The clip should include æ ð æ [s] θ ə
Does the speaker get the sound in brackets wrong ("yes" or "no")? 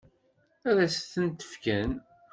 no